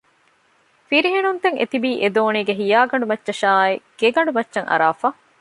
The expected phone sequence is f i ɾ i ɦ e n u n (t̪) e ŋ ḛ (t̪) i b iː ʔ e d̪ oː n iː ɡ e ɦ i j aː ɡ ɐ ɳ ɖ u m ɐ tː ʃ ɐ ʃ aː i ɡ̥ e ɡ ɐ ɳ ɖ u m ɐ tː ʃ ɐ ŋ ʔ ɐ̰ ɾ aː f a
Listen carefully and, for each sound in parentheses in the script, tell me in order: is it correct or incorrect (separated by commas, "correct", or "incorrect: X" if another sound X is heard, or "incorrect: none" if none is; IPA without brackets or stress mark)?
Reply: correct, correct